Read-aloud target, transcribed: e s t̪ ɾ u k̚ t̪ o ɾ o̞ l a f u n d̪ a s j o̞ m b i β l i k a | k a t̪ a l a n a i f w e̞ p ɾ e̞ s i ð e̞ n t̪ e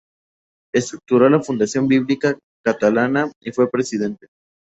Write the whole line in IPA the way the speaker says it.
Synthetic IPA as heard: e s t̪ ɾ u k̚ t̪ u ɾ o̞ l a f u n d̪ a s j o̞ m b i β l i k a | k a t̪ a l a n a i f w e̞ p ɾ e̞ s i ð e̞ n t̪ e